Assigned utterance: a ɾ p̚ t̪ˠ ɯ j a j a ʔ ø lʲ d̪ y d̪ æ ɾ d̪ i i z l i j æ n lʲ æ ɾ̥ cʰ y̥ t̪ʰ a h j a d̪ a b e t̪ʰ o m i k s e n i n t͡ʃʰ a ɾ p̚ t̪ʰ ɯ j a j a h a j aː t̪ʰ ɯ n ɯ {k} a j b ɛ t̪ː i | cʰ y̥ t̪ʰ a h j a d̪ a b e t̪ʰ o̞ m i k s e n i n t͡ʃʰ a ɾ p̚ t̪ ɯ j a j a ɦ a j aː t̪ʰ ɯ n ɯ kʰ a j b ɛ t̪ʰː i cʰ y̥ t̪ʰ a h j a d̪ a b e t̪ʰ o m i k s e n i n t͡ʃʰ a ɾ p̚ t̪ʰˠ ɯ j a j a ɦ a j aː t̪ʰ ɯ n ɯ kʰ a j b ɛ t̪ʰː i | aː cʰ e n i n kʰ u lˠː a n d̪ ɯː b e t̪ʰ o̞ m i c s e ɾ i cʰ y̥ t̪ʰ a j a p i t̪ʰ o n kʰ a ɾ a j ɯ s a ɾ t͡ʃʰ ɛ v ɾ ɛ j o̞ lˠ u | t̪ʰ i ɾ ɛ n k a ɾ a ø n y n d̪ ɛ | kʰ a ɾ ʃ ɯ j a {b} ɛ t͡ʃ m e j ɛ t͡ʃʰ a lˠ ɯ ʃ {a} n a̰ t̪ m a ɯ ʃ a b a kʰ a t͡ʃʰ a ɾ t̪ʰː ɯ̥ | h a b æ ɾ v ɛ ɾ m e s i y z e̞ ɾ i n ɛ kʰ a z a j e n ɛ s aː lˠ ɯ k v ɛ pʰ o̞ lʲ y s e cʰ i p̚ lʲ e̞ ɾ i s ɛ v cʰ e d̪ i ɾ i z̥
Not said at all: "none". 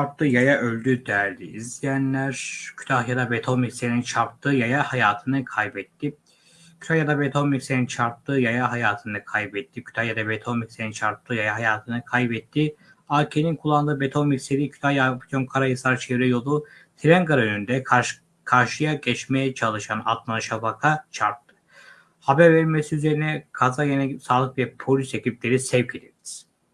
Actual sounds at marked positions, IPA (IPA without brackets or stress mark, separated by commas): kʰ, ɟ, a